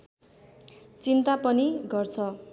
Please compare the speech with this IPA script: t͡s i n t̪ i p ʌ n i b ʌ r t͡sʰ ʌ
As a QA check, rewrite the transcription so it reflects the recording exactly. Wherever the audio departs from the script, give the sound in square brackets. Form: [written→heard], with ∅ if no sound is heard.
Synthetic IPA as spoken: t͡s i n t̪ [i→a] p ʌ n i [b→ɡ] ʌ r t͡sʰ ʌ